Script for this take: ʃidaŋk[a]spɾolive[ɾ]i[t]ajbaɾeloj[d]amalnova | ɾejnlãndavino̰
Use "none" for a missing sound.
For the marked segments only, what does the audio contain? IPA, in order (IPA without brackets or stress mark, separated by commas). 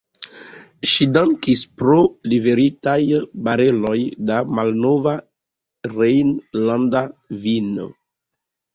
i, ɾ, t, d